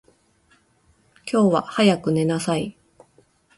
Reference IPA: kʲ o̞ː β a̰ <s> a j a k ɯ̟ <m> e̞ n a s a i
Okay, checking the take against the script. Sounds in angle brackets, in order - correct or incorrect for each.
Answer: incorrect: h, incorrect: n

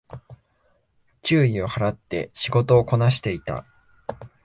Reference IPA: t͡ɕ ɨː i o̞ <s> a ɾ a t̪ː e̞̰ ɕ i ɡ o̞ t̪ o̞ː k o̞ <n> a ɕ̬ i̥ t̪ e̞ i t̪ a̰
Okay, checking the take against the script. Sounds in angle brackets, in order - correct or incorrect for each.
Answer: incorrect: h, correct

